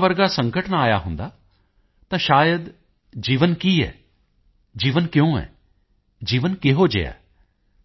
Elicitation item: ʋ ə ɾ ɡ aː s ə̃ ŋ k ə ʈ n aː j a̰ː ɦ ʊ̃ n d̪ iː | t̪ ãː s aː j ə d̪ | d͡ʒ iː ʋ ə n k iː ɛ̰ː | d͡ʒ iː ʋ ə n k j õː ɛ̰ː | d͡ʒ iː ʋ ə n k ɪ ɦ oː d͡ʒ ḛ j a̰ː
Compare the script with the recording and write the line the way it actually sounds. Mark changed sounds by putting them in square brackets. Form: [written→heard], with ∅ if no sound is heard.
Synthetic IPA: ʋ ə ɾ ɡ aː s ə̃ ŋ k ə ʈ n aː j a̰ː ɦ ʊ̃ n d̪ [iː→aː] | t̪ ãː [s→ʃ] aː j ə d̪ | d͡ʒ iː ʋ ə n k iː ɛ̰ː | d͡ʒ iː ʋ ə n k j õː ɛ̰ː | d͡ʒ iː ʋ ə n k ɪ ɦ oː d͡ʒ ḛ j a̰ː